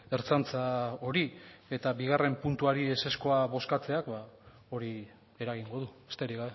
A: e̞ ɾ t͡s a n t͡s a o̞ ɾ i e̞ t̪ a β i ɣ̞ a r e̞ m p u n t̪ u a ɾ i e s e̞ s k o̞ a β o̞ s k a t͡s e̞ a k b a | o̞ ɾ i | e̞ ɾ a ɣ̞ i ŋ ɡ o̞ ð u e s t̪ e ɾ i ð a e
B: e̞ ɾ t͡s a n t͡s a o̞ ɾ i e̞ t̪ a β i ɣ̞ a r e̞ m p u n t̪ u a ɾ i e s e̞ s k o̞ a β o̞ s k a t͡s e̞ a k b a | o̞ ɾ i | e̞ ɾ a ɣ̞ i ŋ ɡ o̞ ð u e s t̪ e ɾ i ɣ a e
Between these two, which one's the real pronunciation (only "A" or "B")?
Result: B